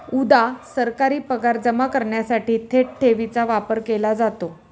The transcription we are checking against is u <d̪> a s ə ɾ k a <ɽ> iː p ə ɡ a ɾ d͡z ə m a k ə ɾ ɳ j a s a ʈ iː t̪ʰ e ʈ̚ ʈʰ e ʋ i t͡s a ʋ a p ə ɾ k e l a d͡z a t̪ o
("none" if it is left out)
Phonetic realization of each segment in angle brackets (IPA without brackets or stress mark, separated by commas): d̪, ɾ